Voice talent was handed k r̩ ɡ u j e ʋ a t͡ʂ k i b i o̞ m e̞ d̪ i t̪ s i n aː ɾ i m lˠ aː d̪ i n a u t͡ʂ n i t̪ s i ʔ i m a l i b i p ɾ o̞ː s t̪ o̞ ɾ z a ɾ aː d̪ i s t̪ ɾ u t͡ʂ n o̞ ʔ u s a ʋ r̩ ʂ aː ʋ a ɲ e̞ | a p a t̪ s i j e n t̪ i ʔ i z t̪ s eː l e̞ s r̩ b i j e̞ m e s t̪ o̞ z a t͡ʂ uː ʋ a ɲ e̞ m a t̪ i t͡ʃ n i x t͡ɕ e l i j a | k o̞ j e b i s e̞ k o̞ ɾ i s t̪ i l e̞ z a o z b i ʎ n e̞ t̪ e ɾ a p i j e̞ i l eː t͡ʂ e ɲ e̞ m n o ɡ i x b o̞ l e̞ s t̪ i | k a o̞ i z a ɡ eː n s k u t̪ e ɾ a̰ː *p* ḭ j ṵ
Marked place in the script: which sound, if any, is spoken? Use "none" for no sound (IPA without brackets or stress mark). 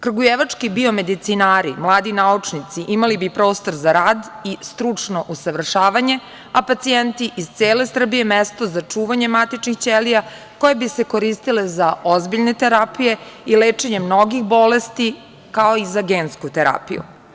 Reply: p